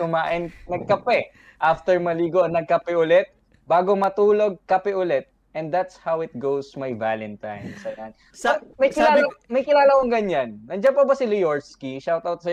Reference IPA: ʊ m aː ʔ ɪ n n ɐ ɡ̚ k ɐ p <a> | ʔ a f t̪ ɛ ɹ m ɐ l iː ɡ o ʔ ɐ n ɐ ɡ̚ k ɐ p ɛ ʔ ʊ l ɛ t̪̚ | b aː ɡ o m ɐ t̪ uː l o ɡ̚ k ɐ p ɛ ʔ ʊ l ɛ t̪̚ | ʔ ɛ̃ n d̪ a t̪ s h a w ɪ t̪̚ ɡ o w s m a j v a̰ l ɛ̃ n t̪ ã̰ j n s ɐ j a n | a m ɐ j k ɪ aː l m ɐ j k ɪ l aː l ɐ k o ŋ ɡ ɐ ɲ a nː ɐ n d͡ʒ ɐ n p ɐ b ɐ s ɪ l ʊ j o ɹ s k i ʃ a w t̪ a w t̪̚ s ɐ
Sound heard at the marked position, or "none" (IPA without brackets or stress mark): ɛ